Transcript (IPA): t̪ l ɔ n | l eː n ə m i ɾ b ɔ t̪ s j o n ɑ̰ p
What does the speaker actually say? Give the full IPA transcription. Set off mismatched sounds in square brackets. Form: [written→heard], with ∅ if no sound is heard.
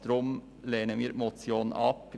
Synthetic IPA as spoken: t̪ [l→ɾ] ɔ [n→m] | l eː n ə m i ɾ [b→m] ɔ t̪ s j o n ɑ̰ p

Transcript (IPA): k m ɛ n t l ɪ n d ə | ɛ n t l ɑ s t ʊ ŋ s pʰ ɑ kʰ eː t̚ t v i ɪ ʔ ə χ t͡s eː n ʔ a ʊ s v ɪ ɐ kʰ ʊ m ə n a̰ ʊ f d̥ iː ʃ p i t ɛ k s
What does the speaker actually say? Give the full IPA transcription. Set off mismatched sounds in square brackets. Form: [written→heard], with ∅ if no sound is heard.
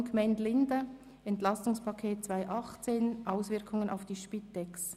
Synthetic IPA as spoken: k m ɛ n t l ɪ n d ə | ɛ n t l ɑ s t ʊ ŋ s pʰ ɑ kʰ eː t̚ [t→t͡s] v [i→a] ɪ ʔ [ə→ɑ] χ t͡s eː n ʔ a ʊ s v ɪ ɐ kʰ ʊ [m→ŋ] ə n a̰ ʊ f d̥ iː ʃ p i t ɛ k s

